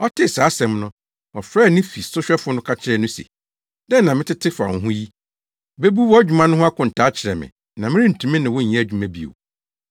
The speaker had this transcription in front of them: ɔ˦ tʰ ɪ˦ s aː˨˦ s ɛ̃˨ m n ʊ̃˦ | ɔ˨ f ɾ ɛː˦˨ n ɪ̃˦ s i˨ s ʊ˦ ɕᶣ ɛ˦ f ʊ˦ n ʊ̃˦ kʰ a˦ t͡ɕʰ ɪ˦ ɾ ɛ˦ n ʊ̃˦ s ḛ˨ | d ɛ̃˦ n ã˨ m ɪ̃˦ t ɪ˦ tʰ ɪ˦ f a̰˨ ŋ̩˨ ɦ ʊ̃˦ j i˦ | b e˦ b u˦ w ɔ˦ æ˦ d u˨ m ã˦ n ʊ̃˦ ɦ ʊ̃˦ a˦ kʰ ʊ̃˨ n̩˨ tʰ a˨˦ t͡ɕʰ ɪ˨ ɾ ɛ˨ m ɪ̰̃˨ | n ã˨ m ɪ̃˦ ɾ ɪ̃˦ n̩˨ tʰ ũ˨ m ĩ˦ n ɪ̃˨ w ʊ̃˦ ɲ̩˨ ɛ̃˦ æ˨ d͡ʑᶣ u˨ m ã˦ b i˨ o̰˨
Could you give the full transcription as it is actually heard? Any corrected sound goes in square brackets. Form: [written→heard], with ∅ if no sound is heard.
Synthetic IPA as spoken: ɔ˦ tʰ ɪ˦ s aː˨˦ s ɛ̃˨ m n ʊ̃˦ | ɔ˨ f ɾ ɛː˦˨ n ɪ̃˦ [s→f] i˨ s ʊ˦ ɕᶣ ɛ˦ f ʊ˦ n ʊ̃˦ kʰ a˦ t͡ɕʰ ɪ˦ ɾ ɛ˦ n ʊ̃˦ s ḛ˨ | d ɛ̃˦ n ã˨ m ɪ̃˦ t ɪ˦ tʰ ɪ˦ f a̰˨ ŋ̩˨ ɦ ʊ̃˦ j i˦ | b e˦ b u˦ w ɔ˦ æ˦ [d→d͡ʑᶣ] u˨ m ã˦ n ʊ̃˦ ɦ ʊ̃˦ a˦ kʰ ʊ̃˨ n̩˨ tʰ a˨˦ t͡ɕʰ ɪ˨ ɾ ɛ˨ m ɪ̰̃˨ | n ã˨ m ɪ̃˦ ɾ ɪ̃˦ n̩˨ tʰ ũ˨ m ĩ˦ n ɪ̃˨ w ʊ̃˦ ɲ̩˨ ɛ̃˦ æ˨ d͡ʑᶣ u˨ m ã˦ b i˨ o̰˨